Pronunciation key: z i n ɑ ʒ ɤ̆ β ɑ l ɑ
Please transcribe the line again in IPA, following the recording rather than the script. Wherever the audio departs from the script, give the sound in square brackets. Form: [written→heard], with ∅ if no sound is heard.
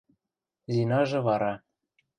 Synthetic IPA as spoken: z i n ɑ ʒ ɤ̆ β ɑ [l→ɾ] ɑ